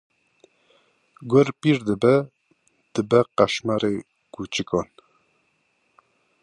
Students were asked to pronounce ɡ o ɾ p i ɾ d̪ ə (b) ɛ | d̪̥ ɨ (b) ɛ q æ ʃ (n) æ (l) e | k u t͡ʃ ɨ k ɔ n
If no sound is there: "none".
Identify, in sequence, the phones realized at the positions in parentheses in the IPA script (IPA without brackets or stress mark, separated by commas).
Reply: b, b, m, ɾ